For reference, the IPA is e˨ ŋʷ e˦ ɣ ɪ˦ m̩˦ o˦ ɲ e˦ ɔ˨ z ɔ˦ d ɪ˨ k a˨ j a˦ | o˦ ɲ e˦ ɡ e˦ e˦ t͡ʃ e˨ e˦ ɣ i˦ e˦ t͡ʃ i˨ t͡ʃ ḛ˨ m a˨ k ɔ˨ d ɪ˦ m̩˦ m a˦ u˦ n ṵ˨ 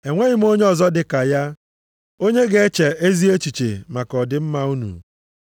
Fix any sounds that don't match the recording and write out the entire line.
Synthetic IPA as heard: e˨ ŋʷ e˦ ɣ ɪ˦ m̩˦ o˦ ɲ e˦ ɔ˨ z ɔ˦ d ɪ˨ k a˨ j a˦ | o˦ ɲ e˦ ɡ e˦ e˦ t͡ʃ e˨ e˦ z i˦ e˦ t͡ʃ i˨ t͡ʃ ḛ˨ m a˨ k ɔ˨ d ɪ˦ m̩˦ m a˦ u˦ n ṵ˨